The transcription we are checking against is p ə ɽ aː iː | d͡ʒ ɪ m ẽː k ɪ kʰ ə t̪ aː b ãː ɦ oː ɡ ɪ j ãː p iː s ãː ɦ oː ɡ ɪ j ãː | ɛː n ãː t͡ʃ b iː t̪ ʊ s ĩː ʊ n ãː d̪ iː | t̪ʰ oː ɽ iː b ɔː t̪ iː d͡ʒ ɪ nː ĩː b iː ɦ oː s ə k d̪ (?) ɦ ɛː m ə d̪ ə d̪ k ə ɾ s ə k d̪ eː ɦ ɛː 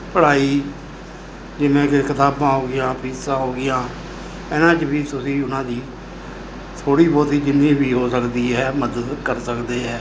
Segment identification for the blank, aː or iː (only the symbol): iː